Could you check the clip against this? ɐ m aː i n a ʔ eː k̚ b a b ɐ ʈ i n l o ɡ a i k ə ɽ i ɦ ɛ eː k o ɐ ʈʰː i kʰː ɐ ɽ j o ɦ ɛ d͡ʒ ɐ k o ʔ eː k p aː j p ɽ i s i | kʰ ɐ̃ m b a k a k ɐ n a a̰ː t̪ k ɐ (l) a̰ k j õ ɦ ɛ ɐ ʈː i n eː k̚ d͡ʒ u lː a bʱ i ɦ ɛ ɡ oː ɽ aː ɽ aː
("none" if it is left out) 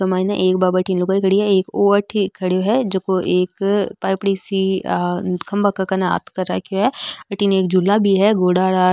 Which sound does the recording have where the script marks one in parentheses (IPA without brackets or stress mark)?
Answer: ɾ